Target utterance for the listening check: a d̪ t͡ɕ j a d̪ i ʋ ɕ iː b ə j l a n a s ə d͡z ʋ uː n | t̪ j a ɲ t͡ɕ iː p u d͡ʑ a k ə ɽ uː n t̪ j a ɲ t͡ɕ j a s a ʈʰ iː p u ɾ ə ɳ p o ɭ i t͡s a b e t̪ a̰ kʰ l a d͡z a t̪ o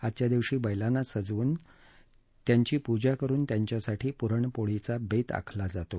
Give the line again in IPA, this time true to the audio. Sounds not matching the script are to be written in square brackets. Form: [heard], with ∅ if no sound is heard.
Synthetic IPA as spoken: a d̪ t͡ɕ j a d̪ i ʋ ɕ iː b ə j l a n a s ə d͡z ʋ uː n | t̪ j a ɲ t͡ɕ iː p u d͡ʑ a k ə [ɾ] uː n t̪ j a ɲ t͡ɕ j a s a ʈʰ iː p u ɾ ə ɳ p o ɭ i t͡s a b e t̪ a̰ kʰ l a d͡z a t̪ o

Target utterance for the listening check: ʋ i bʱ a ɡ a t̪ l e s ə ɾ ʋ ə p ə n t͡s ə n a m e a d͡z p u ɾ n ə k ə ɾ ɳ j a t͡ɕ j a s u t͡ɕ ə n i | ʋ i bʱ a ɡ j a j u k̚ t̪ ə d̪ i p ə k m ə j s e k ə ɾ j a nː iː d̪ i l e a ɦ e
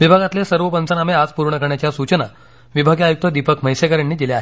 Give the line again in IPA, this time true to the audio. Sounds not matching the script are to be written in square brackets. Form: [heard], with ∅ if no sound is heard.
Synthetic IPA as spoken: ʋ i bʱ a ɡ a t̪ l e s ə ɾ ʋ ə p ə n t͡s ə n a m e a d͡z p u ɾ [ɳ] ə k ə ɾ ɳ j a t͡ɕ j a s u t͡ɕ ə n [a] | ʋ i bʱ a ɡ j a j u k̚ t̪ ə d̪ i p ə k m ə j s e k ə ɾ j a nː iː d̪ i l e a ɦ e

